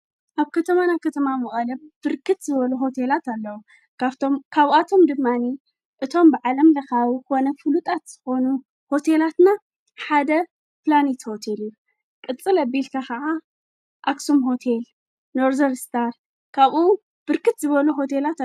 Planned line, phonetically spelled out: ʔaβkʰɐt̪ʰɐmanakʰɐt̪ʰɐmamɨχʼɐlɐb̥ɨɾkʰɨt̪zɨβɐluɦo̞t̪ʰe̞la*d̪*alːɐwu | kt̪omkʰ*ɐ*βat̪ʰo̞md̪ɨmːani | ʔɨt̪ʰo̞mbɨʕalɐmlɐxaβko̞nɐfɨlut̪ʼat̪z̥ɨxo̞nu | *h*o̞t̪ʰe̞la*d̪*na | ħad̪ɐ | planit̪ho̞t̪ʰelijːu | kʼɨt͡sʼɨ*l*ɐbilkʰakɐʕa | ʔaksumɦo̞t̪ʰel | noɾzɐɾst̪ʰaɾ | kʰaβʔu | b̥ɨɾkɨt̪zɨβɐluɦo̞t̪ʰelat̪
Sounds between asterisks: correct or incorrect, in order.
incorrect: t̪, incorrect: a, correct, incorrect: t̪, correct

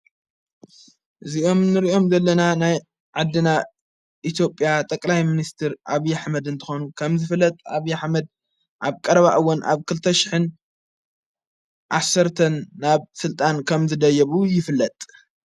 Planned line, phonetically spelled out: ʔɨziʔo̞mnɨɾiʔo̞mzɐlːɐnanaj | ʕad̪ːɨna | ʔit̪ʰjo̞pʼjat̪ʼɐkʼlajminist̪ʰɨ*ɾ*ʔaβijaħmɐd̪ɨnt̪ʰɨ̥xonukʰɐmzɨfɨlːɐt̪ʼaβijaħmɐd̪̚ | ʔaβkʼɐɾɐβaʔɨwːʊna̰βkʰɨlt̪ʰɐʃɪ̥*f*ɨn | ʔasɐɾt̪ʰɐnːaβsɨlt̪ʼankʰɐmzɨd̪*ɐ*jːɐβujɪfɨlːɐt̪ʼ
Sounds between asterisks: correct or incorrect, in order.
correct, incorrect: ħ, correct

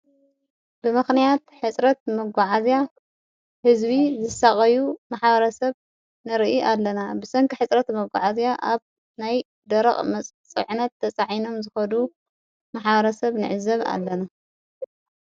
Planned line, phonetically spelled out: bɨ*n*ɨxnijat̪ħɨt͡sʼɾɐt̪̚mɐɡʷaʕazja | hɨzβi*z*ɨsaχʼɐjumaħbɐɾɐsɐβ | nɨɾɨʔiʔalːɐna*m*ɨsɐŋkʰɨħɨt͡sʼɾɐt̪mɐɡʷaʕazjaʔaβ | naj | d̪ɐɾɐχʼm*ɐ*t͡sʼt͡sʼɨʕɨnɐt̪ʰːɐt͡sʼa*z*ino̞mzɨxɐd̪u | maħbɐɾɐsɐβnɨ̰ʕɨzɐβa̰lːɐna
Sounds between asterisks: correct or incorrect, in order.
incorrect: m, correct, incorrect: b, correct, incorrect: ʕ

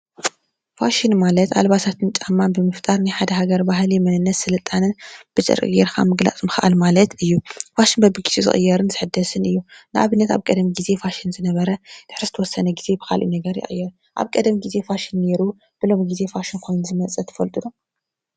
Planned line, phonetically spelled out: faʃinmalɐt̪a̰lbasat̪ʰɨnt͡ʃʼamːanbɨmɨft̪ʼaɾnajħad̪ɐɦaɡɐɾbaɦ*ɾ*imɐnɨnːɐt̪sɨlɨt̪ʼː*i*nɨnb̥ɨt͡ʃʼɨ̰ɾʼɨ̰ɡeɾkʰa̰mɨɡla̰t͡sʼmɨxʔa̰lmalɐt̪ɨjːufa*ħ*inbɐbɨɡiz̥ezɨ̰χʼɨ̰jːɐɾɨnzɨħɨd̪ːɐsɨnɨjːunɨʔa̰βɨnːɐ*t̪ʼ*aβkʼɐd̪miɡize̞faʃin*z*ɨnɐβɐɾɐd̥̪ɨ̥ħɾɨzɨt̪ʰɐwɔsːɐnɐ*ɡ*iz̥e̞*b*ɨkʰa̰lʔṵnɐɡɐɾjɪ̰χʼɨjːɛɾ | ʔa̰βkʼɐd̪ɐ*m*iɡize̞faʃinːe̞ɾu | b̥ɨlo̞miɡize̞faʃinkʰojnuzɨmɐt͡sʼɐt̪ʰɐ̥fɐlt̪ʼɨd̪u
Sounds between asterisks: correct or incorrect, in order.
incorrect: l, incorrect: a, incorrect: ʃ, incorrect: t̪, correct, correct, correct, correct

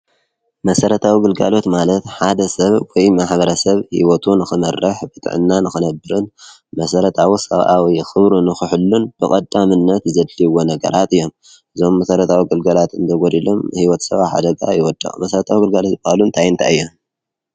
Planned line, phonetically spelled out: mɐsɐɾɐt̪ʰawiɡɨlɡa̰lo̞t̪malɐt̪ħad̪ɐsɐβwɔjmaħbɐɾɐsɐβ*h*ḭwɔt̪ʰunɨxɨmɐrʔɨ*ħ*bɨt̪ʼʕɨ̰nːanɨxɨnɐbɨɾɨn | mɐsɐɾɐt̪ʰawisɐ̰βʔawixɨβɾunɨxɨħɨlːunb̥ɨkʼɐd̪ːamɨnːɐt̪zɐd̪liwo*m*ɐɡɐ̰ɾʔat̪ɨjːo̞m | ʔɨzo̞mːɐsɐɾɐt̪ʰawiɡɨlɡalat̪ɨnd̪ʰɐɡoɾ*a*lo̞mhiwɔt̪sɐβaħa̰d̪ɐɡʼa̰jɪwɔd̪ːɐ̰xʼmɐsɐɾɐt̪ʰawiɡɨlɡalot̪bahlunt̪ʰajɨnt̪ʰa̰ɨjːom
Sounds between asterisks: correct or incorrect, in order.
correct, correct, incorrect: n, incorrect: i

